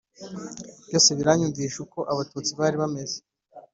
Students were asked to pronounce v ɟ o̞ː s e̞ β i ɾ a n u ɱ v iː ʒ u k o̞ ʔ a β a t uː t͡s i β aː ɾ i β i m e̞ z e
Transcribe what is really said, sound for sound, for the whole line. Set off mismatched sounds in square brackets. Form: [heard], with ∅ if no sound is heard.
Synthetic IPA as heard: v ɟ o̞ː s e̞ β i ɾ a [ɲ] u ɱ v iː [ʃ] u k o̞ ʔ a β a t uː t͡s i β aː ɾ i β [a] m e̞ z e